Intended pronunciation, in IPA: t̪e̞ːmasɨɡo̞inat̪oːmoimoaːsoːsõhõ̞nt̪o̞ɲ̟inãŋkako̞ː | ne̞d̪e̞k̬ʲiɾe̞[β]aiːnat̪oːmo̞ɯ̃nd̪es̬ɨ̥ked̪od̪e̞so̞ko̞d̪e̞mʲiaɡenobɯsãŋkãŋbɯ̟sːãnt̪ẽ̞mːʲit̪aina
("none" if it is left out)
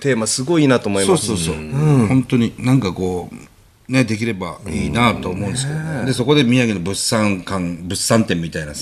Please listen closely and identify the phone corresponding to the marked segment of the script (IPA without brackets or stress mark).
b